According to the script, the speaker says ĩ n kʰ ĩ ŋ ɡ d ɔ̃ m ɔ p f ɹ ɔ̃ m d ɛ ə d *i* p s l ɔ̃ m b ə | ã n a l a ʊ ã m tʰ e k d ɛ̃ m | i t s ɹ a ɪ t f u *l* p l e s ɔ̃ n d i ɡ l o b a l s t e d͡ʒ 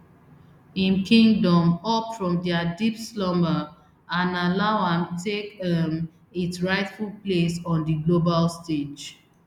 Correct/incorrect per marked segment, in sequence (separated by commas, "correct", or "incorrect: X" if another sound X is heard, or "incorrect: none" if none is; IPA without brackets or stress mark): correct, correct